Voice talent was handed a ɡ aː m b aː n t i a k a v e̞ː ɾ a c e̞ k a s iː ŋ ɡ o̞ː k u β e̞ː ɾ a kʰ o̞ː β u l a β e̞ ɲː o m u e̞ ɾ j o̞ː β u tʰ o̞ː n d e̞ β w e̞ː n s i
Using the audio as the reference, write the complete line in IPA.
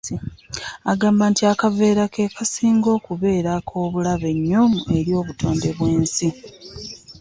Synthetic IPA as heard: a ɡ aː m b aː n t i a k a v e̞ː ɾ a k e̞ k a s iː ŋ ɡ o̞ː k u β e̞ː ɾ a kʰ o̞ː β u l a β e̞ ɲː o m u e̞ ɾ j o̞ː β u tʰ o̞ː n d e̞ β w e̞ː n s i